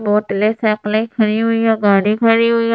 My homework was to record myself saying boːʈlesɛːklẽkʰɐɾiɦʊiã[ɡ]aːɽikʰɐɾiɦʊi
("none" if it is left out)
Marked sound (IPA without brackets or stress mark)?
ɡ